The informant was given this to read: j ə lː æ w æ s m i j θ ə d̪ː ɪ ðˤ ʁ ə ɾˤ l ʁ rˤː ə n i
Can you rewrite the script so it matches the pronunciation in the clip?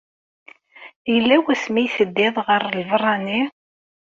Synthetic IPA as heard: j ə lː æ w æ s m i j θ ə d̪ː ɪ ðˤ ʁ ə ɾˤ l v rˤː ɑ n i

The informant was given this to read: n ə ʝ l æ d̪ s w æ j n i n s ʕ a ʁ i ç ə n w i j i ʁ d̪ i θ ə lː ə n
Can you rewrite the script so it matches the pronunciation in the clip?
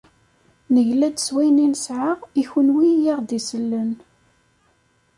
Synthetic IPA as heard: n ə ʝ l æ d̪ s w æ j n i n s ʕ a ʁ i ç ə n w i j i ʁ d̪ i s ə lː ə n

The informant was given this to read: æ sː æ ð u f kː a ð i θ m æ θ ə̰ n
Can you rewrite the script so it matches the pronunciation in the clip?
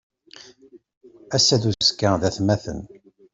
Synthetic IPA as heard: æ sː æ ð u s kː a ð æ θ m æ θ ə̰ n

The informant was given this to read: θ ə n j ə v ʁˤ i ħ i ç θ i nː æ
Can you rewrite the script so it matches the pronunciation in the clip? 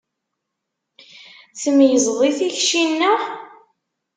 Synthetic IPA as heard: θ ə m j ə z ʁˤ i θ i ç ʃ i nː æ

